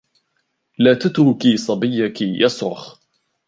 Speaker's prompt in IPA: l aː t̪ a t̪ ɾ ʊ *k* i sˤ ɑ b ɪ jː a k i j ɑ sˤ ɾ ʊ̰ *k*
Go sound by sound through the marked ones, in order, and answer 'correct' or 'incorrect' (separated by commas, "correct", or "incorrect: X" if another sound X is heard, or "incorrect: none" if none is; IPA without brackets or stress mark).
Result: correct, incorrect: x